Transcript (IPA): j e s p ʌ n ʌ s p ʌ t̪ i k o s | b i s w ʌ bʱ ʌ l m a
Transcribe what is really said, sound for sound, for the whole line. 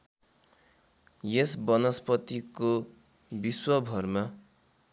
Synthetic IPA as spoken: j e s b ʌ n ʌ s p ʌ t̪ i k o | b i s w ʌ bʱ ʌ r m a